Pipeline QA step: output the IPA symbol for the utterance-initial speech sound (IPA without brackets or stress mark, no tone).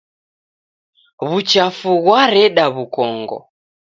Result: β